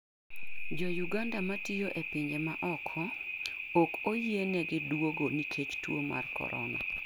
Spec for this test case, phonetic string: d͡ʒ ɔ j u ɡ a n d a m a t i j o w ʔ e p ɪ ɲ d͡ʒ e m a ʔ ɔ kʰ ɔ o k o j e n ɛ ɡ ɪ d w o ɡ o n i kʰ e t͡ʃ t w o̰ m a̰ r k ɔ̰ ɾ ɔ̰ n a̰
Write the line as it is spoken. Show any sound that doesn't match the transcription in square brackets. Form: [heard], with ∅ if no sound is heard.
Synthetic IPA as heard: d͡ʒ ɔ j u ɡ a n d a m a t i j o [∅] ʔ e p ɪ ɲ d͡ʒ e m a ʔ ɔ kʰ ɔ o k o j e n ɛ ɡ ɪ d w o ɡ o n i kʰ e t͡ʃ t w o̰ m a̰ r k ɔ̰ ɾ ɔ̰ n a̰